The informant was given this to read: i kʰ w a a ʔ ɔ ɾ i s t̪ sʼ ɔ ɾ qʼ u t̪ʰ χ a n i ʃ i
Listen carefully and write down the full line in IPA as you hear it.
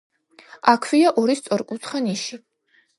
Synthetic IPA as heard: a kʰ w i a ʔ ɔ ɾ i s t̪ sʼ ɔ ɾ kʼ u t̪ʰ χ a n i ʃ i

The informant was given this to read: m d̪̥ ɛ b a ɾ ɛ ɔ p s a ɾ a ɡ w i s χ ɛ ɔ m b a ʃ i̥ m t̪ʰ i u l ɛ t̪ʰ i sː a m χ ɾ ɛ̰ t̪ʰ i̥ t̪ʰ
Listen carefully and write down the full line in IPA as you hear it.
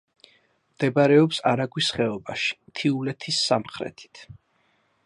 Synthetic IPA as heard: m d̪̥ ɛ b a ɾ ɛ ɔ p s a ɾ a ɡ w i s χ ɛ ɔ b a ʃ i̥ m t̪ʰ i u l ɛ t̪ʰ i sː a m χ ɾ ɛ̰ t̪ʰ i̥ t̪ʰ

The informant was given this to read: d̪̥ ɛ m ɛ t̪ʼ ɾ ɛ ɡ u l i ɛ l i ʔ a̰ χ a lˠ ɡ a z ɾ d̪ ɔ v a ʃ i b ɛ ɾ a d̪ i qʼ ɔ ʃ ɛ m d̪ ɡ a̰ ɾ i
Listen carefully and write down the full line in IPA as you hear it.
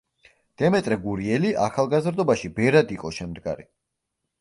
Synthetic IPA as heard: d̪̥ ɛ m ɛ t̪ʼ ɾ ɛ ɡ u ɾ i ɛ l i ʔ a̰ χ a lˠ ɡ a z ɾ d̪ ɔ b a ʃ i b ɛ ɾ a d̪ i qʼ ɔ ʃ ɛ m d̪ ɡ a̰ ɾ i

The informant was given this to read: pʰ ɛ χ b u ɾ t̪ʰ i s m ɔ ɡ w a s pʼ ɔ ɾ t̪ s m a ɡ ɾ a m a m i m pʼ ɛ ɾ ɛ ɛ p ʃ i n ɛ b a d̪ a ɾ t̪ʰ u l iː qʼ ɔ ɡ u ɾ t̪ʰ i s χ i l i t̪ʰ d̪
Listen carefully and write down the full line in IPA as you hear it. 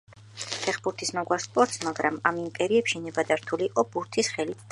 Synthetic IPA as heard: pʰ ɛ χ b u ɾ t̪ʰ i s m ɔ ɡ w a s pʼ ɔ ɾ t̪ s m a ɡ ɾ a m a m i m pʼ ɛ ɾ i ɛ p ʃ i n ɛ b a d̪ a ɾ t̪ʰ u l iː qʼ ɔ b u ɾ t̪ʰ i s χ ɛ l i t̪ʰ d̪

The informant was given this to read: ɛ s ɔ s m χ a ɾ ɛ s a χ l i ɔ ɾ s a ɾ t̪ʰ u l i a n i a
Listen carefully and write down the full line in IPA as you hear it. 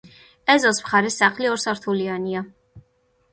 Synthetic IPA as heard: ɛ z ɔ s m χ a ɾ ɛ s a χ l i ɔ ɾ s a ɾ t̪ʰ u l i a n i a

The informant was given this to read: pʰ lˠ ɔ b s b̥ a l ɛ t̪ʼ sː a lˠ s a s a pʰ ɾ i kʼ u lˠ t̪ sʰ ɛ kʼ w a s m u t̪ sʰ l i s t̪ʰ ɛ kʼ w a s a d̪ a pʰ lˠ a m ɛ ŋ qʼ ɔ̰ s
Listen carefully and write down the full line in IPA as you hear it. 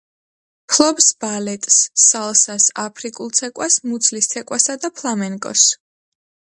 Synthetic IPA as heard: pʰ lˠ ɔ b s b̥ a l ɛ t̪ʼ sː a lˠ s a s a pʰ ɾ i kʼ u lˠ t̪ sʰ ɛ kʼ w a s m u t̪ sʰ l i s t̪ʰ ɛ kʼ w a s a d̪ a pʰ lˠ a m ɛ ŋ kʼ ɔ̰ s

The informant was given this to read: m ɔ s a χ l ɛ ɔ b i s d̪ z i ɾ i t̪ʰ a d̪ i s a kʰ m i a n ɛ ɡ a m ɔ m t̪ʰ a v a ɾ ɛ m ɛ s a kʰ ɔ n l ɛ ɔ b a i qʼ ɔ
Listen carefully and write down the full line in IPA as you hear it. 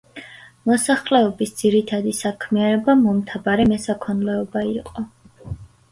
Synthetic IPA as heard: m ɔ s a χ l ɛ ɔ b i s d̪ z i ɾ i t̪ʰ a d̪ i s a kʰ m i a n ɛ b a m ɔ m t̪ʰ a b a ɾ ɛ m ɛ s a kʰ ɔ n l ɛ ɔ b a i qʼ ɔ

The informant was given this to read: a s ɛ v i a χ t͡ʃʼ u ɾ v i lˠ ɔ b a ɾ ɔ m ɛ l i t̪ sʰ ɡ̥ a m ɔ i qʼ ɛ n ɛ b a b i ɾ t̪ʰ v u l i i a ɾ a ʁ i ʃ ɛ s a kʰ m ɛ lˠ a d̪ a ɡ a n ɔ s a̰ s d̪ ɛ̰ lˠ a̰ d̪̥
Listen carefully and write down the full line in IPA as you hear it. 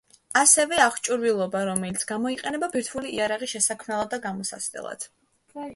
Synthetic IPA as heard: a s ɛ v ɛ a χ t͡ʃʼ u ɾ v i lˠ ɔ b a ɾ ɔ m ɛ l i t̪ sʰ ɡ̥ a m ɔ i qʼ ɛ n ɛ b a b i ɾ t̪ʰ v u l i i a ɾ a ʁ i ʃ ɛ s a kʰ m ɛ lˠ a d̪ a ɡ a m ɔ s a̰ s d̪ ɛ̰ lˠ a̰ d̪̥

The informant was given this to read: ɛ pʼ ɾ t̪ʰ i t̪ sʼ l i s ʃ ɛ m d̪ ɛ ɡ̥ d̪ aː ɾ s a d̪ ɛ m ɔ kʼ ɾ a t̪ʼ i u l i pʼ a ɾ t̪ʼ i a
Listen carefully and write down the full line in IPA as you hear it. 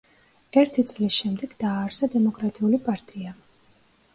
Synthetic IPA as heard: ɛ ɾ t̪ʰ i t̪ sʼ l i s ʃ ɛ m d̪ ɛ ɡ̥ d̪ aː ɾ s a d̪ ɛ m ɔ kʼ ɾ a t̪ʼ i u l i pʼ a ɾ t̪ʼ i a

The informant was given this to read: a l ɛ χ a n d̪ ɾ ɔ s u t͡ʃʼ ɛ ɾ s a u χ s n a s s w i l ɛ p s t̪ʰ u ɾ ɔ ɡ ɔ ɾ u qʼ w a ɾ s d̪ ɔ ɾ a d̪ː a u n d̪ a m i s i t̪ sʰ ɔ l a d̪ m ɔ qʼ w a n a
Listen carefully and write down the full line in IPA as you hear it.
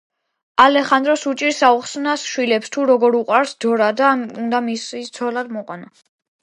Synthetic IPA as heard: a l ɛ χ a n d̪ ɾ ɔ s u t͡ʃʼ i ɾ s a u χ s n a s ʃ w i l ɛ p s t̪ʰ u ɾ ɔ ɡ ɔ ɾ u qʼ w a ɾ s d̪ ɔ ɾ a d̪ a u n d̪ a m i s i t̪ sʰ ɔ l a d̪ m ɔ qʼ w a n a

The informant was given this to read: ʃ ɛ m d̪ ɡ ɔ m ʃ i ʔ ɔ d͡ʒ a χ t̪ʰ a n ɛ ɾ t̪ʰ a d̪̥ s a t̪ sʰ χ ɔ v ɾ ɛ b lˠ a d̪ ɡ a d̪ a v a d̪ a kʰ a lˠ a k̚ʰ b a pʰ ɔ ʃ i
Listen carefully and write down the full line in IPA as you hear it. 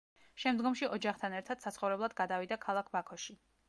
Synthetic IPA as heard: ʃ ɛ m d̪ ɡ ɔ m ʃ i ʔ ɔ d͡ʒ a χ t̪ʰ a n ɛ ɾ t̪ʰ a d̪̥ s a t̪ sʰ χ ɔ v ɾ ɛ b lˠ a d̪ ɡ a d̪ a v i d̪ a kʰ a lˠ a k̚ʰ b a kʰ ɔ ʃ i

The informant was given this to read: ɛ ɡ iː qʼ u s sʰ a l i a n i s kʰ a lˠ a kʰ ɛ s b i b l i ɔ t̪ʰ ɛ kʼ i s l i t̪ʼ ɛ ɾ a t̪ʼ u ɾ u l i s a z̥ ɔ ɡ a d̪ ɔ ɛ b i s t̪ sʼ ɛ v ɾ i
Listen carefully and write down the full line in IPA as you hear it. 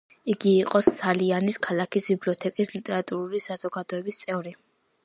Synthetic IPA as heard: i ɡ iː qʼ ɔ s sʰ a l i a n i s kʰ a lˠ a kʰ i s b i b l i ɔ t̪ʰ ɛ kʼ i s l i t̪ʼ ɛ ɾ a t̪ʼ u ɾ u l i s a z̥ ɔ ɡ a d̪ ɔ ɛ b i s t̪ sʼ ɛ v ɾ i

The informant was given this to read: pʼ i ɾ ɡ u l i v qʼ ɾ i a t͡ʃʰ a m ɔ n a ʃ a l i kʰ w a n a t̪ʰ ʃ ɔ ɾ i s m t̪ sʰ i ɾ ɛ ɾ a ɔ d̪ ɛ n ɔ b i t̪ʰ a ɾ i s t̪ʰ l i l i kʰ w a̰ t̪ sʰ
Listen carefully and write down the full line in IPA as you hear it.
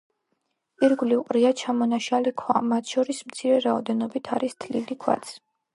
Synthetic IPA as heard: pʼ i ɾ ɡ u l i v qʼ ɾ i a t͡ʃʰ a m ɔ n a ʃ a l i kʰ w a m a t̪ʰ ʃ ɔ ɾ i s m t̪ sʰ i ɾ ɛ ɾ a ɔ d̪ ɛ n ɔ b i t̪ʰ a ɾ i s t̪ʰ l i l i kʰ w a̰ t̪ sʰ

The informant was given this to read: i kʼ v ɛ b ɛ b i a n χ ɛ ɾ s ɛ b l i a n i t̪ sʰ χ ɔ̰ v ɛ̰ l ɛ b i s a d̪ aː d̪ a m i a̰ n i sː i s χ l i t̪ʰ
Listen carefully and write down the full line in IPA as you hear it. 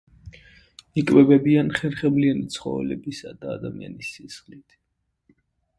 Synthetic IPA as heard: i kʼ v ɛ b ɛ b i a n χ ɛ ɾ χ ɛ b l i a n i t̪ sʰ χ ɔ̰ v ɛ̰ l ɛ b i s a d̪ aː d̪ a m i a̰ n i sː i s χ l i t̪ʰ

